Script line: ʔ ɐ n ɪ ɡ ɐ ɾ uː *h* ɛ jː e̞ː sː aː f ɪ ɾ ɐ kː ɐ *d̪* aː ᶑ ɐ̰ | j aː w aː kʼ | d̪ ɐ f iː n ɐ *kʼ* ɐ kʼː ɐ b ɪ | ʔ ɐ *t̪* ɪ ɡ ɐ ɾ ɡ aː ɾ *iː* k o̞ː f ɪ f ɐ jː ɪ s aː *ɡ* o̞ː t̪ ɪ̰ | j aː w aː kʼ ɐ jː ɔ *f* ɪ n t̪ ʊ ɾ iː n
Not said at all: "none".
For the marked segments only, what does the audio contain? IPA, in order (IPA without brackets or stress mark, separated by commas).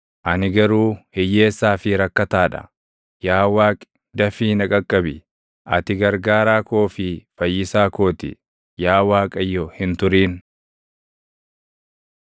h, t̪, kʼ, t̪, aː, k, h